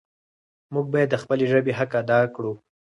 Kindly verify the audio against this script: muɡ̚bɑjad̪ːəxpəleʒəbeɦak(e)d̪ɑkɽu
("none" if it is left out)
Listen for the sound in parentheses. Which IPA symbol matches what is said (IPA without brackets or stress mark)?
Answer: a